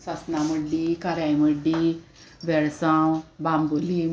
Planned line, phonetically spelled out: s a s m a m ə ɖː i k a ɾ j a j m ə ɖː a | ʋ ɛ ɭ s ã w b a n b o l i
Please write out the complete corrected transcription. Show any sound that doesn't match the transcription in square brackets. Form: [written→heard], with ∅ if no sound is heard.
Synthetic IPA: s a s [m→n] a m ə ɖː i k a ɾ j a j m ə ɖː [a→i] | ʋ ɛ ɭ s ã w b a [n→m] b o l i